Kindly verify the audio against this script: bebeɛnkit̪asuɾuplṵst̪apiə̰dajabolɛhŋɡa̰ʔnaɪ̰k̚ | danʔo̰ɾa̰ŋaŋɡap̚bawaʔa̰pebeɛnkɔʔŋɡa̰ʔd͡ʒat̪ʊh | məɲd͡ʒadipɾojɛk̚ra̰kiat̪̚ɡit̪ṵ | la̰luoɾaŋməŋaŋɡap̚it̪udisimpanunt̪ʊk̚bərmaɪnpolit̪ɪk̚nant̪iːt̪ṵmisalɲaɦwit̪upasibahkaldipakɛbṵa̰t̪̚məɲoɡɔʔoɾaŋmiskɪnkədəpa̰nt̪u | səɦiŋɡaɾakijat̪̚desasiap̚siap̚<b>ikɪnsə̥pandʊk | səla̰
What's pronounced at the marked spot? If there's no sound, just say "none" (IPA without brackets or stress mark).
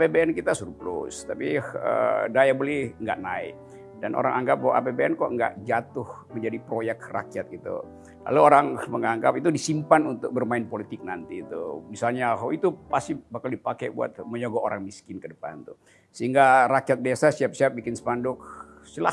b